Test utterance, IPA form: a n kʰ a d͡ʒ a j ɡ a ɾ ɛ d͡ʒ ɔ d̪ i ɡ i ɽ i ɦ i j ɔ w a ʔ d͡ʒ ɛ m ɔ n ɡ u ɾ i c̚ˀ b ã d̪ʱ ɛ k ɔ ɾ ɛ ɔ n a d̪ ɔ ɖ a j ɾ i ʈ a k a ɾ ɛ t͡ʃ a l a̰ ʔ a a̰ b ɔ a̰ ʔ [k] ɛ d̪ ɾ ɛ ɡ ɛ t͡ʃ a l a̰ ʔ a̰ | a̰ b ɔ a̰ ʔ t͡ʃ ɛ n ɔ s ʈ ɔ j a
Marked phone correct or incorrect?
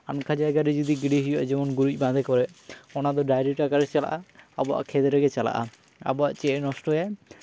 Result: incorrect: kʰ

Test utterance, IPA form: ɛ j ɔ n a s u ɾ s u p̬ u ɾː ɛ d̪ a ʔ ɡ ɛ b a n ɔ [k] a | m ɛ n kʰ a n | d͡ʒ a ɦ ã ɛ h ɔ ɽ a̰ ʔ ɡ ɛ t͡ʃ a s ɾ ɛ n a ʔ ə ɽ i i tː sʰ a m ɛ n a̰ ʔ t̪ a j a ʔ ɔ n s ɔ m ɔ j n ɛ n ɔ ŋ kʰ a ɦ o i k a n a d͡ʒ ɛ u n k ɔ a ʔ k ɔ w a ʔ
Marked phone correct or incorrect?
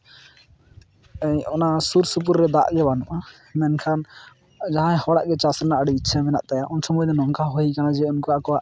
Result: incorrect: ʔ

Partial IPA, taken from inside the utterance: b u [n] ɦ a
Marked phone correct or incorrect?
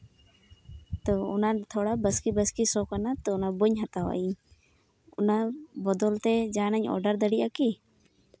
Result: incorrect: ɲ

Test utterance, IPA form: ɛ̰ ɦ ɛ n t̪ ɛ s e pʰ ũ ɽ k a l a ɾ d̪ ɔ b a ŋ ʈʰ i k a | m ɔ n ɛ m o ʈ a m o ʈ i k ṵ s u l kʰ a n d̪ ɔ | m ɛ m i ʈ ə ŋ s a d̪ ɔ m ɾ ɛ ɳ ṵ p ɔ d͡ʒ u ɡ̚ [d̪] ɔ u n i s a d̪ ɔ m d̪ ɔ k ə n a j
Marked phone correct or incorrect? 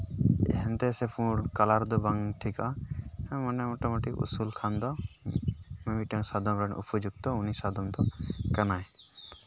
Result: incorrect: t̪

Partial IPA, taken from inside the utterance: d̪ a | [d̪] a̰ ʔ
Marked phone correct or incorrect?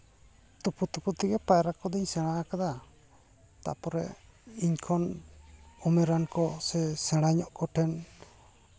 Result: incorrect: t̪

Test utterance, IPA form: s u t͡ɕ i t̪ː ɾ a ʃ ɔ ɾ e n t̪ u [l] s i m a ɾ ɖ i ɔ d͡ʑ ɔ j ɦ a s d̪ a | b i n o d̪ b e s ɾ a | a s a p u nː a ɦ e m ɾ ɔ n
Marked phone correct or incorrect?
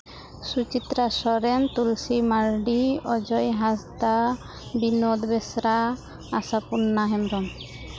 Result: correct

